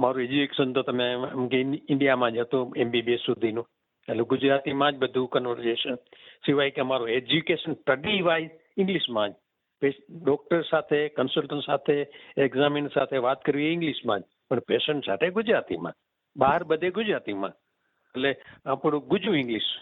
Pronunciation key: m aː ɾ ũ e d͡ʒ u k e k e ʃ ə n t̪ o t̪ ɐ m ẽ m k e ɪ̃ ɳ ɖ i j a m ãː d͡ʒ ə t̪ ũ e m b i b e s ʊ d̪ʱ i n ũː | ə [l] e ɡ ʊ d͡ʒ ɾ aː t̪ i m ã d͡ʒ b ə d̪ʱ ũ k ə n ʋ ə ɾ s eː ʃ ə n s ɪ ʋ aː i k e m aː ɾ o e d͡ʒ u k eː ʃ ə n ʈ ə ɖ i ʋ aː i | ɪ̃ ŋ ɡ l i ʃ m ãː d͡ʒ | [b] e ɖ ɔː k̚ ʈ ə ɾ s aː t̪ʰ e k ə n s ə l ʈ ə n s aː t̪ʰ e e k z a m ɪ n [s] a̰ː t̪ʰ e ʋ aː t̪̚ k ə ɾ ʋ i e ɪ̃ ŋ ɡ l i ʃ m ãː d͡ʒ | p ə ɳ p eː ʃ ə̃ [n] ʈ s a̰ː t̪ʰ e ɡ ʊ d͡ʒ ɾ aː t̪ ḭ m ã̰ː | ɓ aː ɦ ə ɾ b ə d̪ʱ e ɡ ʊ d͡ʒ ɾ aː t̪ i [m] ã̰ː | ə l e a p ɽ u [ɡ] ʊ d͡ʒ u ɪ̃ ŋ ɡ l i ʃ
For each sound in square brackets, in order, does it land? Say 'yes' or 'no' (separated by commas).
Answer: yes, no, yes, no, yes, yes